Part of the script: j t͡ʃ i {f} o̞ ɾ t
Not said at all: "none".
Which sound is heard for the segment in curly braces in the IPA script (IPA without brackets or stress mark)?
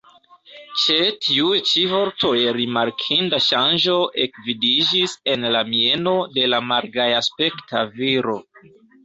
v